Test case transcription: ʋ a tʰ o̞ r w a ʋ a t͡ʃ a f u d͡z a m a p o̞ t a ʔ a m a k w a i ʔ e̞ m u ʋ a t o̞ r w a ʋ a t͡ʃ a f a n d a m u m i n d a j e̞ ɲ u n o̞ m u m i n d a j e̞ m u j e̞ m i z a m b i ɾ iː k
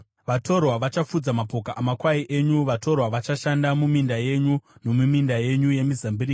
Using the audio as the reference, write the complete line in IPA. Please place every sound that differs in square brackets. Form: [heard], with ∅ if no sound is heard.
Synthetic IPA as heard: ʋ a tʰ o̞ r w a ʋ a t͡ʃ a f u d͡z a m a p o̞ [k] a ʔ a m a k w a i ʔ e̞ [ɲ] u ʋ a t o̞ r w a ʋ a t͡ʃ a [ʃ] a n d a m u m i n d a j e̞ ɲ u n o̞ m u m i n d a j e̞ [ɲ] u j e̞ m i z a m b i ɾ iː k